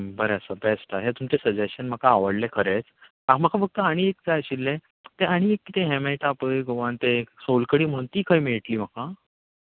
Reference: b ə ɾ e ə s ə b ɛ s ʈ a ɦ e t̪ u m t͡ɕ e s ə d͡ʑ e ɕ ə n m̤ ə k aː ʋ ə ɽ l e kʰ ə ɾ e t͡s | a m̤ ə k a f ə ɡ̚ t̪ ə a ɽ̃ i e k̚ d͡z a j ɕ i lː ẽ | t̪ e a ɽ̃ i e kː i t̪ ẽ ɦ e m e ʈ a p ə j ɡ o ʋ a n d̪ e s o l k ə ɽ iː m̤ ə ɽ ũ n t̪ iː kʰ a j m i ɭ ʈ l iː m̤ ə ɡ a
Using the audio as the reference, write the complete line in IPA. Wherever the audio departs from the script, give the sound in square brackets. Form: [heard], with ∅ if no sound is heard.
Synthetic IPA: b ə ɾ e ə s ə b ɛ s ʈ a ɦ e t̪ u m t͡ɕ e s ə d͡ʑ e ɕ ə n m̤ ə k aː ʋ ə ɽ l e kʰ ə ɾ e t͡s | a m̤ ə k a f ə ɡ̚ t̪ ə a ɽ̃ i e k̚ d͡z a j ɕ i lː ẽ | t̪ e a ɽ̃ i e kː i t̪ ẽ ɦ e m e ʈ a p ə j ɡ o ʋ a n [t̪] e s o l k ə ɽ iː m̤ ə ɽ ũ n t̪ iː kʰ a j m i ɭ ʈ l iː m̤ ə [k] a